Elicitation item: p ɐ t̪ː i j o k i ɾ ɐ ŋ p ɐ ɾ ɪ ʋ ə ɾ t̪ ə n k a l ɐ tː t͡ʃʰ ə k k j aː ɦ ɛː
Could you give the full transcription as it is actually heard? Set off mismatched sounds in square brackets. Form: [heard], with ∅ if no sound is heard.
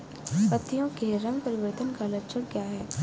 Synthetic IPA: p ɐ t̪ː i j [õ] k [e] ɾ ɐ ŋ p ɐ ɾ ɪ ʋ ə ɾ t̪ ə n k a l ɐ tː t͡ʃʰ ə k k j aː ɦ ɛː